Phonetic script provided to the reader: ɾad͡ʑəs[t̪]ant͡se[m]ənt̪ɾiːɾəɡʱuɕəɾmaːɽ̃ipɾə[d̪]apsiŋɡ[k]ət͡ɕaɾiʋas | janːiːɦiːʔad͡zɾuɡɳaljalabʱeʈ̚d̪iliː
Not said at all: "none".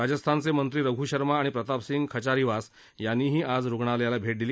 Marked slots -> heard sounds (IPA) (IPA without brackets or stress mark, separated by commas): t̪ʰ, m, t̪, kʰ